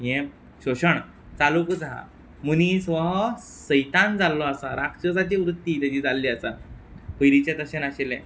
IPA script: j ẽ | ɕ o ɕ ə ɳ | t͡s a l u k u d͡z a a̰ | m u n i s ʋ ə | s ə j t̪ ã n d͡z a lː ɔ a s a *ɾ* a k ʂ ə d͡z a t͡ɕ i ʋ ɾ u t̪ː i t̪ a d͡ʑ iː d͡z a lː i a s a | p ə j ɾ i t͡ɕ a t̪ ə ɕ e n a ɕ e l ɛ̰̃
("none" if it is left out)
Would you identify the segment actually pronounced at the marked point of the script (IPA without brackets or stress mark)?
ɾ